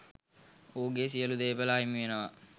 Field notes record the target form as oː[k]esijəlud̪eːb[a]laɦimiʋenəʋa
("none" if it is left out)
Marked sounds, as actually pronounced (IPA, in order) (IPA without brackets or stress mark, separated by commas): ɡ, ə